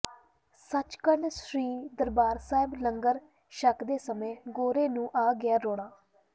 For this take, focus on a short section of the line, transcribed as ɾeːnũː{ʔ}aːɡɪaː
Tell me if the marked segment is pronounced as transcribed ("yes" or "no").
yes